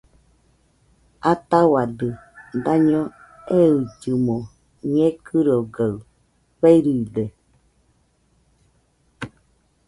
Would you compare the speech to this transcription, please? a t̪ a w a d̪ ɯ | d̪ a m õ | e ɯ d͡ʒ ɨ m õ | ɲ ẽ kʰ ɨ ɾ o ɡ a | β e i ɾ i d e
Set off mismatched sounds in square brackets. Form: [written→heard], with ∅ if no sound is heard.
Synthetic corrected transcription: a t̪ a w a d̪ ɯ | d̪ a [m→ɲ] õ | e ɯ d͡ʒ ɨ m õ | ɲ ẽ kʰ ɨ ɾ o ɡ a | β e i ɾ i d e